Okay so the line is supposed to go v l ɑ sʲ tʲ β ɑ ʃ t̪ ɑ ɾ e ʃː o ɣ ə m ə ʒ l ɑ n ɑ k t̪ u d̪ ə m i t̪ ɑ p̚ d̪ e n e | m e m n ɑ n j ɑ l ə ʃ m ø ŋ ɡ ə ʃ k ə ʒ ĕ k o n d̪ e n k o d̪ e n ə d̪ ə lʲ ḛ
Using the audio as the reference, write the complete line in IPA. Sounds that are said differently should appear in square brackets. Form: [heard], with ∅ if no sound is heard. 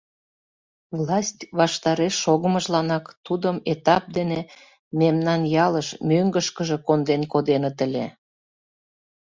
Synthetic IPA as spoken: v l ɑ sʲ tʲ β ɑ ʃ t̪ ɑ ɾ e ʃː o ɣ ə m ə ʒ l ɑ n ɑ k t̪ u d̪ ə m [e] t̪ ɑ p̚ d̪ e n e | m e m n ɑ n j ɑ l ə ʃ m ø ŋ ɡ ə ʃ k ə ʒ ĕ k o n d̪ e n k o d̪ e n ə [t̪] ə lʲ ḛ